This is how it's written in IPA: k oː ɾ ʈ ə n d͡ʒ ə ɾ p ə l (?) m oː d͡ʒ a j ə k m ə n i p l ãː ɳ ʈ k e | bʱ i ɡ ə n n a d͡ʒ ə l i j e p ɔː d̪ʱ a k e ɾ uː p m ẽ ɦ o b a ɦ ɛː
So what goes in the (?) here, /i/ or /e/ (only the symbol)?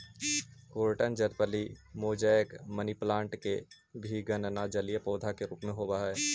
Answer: i